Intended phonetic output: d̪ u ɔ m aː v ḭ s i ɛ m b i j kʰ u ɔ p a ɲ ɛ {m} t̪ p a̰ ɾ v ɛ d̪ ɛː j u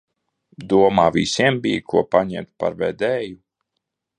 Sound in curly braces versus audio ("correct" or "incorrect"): correct